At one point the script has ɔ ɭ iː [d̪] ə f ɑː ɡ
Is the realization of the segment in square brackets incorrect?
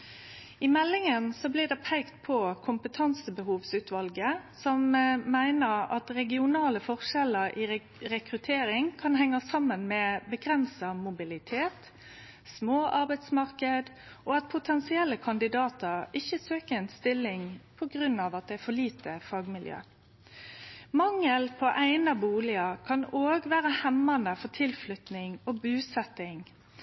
yes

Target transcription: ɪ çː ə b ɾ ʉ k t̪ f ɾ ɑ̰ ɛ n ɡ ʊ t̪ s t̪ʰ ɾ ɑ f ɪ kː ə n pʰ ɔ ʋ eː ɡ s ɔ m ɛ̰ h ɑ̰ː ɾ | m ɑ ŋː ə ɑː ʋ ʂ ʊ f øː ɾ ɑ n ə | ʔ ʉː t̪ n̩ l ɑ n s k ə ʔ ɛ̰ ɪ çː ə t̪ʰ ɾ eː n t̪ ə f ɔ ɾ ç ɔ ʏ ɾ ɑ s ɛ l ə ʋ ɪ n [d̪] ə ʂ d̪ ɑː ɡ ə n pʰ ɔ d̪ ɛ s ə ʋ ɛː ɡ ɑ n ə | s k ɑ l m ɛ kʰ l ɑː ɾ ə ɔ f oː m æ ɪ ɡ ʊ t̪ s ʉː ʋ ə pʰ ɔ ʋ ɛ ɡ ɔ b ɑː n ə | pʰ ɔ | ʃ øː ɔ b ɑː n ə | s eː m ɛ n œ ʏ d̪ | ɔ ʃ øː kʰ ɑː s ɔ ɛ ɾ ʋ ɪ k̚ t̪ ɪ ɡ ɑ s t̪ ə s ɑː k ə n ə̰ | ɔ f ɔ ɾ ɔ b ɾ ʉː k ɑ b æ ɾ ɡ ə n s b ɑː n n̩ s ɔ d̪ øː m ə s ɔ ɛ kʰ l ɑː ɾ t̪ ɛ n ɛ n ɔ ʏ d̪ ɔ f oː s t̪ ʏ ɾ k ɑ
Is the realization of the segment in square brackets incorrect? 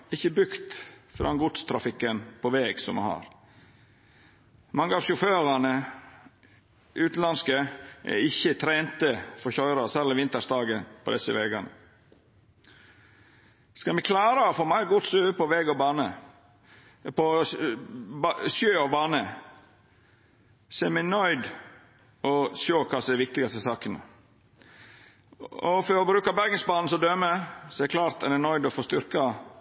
yes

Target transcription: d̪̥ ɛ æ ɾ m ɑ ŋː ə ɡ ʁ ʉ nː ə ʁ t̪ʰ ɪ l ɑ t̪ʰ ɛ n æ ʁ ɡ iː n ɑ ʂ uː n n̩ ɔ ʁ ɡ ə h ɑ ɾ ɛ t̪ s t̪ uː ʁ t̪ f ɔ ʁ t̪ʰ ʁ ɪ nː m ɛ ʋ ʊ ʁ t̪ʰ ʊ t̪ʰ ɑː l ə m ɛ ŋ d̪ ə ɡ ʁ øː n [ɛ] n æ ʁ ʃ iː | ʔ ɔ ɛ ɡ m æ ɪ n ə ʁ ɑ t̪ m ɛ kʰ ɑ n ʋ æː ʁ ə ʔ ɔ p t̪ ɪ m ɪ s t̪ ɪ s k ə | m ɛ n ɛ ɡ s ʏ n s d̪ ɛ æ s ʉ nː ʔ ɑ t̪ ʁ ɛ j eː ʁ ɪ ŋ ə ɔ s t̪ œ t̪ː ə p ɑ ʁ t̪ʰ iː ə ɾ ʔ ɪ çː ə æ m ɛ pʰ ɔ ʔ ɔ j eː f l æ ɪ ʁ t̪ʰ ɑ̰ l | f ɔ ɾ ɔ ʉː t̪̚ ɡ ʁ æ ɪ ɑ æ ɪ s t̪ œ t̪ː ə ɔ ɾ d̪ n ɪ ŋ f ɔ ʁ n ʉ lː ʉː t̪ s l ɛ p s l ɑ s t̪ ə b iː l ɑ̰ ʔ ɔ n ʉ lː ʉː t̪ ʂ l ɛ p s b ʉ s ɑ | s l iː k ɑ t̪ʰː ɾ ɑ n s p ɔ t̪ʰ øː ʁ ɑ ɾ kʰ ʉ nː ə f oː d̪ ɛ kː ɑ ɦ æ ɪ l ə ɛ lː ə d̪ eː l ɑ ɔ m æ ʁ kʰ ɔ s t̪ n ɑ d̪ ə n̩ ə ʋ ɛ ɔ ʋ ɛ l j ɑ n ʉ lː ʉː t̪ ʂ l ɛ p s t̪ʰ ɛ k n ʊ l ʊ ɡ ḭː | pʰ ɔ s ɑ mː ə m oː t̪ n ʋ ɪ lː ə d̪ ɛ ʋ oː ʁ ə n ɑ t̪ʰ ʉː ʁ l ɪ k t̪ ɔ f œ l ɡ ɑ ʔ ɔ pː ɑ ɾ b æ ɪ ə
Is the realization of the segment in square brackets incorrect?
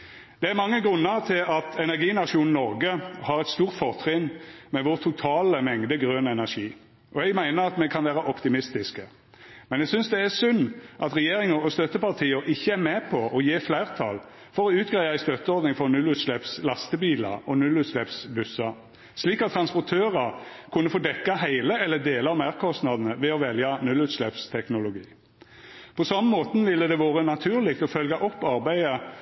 no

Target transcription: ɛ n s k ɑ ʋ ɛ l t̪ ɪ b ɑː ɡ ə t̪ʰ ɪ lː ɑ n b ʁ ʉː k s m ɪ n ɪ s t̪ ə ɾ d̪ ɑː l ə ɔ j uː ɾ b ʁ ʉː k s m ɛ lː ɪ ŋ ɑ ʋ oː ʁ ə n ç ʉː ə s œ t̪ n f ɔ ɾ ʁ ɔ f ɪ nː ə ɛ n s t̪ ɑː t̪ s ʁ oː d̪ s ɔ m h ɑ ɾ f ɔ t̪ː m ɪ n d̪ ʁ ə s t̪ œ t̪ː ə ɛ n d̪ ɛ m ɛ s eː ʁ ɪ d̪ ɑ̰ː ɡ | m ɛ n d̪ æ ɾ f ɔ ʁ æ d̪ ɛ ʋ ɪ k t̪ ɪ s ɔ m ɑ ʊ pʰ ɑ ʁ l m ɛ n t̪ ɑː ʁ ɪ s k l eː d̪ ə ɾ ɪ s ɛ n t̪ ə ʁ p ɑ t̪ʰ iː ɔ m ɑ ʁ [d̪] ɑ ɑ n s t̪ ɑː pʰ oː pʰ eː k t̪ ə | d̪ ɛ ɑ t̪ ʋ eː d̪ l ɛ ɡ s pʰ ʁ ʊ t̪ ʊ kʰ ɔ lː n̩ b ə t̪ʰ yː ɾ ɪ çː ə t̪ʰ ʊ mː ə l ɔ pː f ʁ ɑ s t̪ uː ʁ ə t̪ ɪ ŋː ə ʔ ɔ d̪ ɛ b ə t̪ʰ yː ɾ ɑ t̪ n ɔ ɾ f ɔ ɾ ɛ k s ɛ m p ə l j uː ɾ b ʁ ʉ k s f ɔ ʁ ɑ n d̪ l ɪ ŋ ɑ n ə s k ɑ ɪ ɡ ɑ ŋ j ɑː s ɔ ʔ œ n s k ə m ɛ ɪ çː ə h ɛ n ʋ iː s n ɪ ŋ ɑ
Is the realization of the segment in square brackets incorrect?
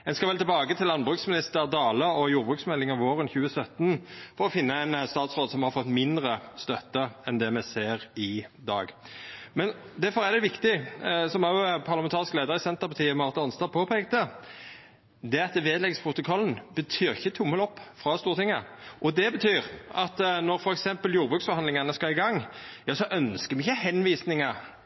yes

